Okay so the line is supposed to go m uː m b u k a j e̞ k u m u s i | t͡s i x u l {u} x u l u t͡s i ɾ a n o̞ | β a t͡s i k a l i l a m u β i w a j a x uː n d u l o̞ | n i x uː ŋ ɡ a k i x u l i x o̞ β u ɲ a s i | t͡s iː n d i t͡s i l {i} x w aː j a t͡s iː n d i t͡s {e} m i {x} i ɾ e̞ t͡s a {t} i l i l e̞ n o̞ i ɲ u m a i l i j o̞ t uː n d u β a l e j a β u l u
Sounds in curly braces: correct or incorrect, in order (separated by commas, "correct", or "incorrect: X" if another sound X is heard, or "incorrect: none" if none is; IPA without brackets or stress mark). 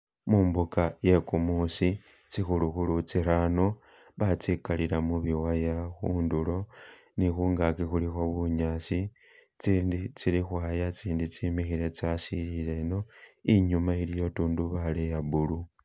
correct, correct, incorrect: i, correct, incorrect: s